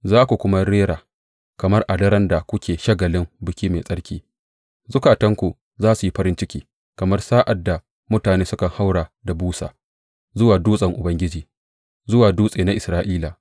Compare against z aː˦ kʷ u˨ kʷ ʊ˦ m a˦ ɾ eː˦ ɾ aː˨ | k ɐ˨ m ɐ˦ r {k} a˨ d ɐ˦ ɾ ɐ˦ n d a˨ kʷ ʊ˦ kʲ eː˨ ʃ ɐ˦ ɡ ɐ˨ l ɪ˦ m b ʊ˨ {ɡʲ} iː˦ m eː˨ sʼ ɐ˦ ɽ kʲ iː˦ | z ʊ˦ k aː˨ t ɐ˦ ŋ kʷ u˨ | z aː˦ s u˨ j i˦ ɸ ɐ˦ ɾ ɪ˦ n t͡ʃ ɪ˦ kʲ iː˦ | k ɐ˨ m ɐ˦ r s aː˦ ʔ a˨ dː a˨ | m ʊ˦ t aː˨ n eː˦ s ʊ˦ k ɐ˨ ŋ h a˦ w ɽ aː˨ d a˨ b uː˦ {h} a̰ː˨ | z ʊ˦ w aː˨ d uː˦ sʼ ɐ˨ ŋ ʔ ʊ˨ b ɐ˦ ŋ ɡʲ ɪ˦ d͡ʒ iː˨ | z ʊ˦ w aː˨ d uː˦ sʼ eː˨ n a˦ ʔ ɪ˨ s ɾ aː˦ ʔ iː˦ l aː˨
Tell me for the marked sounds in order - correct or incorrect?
incorrect: ʔ, incorrect: kʲ, incorrect: s

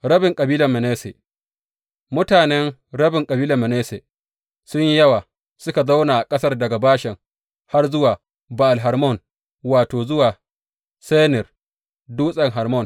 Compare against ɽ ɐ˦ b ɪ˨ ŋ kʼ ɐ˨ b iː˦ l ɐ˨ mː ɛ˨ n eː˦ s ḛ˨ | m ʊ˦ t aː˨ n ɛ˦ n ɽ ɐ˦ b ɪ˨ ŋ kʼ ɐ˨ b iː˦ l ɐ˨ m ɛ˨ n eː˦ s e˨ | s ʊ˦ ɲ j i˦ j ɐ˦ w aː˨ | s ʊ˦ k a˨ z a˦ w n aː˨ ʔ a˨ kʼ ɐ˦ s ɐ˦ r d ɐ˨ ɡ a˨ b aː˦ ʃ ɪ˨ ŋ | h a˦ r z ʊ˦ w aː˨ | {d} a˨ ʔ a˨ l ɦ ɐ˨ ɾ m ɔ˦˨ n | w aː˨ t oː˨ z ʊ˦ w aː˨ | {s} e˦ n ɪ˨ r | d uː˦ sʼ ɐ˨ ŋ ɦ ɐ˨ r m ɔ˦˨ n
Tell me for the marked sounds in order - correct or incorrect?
incorrect: b, correct

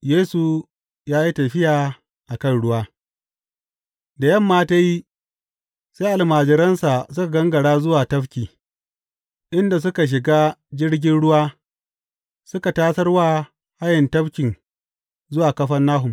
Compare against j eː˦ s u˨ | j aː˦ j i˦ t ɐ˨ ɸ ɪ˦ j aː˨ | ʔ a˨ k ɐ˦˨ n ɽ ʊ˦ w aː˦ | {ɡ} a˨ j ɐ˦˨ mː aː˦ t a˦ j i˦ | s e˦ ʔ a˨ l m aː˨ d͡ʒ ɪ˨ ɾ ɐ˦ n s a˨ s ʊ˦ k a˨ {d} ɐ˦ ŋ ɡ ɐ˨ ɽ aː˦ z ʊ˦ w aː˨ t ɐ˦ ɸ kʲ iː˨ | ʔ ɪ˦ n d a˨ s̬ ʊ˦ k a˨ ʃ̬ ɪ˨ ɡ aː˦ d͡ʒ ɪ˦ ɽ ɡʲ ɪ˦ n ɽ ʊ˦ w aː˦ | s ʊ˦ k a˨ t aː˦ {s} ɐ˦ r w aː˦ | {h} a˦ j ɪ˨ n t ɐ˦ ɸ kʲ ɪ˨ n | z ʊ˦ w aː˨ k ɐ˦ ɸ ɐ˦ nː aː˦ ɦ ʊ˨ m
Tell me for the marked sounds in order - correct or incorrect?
incorrect: d, incorrect: ɡ, correct, correct

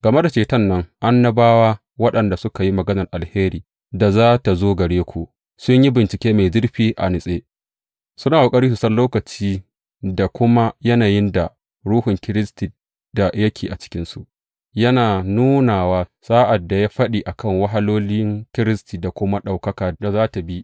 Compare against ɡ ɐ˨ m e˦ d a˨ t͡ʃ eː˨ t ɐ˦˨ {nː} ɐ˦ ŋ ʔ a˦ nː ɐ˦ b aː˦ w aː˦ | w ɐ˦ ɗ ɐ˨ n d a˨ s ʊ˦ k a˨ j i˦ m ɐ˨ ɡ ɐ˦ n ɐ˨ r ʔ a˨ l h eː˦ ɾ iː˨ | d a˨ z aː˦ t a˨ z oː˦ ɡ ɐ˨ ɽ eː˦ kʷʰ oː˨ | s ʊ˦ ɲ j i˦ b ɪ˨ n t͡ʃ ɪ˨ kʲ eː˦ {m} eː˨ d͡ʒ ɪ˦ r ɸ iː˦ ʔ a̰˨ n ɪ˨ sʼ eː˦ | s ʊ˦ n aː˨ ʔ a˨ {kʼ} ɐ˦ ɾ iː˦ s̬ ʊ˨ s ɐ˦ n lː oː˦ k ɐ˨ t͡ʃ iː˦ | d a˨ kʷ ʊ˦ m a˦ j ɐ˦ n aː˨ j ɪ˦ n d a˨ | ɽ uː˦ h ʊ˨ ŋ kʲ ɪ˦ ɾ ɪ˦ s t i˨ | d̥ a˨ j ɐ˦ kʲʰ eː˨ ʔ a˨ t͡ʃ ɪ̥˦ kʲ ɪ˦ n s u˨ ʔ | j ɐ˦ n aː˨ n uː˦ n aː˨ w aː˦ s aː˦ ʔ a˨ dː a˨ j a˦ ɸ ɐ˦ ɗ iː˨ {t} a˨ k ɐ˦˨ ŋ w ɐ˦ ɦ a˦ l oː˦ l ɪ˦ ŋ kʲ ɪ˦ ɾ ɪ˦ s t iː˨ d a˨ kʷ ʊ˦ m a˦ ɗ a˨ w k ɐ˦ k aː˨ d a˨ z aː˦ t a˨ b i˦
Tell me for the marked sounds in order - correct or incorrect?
correct, correct, correct, incorrect: ʔ

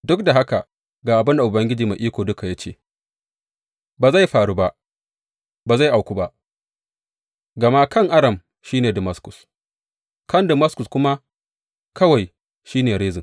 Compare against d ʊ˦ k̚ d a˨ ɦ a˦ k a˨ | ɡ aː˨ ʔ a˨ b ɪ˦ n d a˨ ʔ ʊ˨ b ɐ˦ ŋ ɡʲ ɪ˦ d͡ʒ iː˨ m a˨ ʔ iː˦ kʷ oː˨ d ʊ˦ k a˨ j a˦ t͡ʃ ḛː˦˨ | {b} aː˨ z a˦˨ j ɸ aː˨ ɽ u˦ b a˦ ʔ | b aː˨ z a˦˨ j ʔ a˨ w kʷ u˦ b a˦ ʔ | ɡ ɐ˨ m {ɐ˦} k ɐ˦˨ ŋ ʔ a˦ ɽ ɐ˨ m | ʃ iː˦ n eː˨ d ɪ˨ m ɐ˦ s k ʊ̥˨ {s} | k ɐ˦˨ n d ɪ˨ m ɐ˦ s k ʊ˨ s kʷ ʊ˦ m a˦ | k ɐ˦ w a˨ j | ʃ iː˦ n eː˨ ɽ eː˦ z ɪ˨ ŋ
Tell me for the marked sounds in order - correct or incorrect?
correct, incorrect: a˦, correct

